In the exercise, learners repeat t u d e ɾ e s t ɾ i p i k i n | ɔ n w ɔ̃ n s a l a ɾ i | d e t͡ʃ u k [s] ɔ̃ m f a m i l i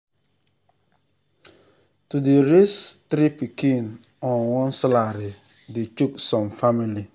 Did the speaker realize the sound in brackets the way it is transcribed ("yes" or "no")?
yes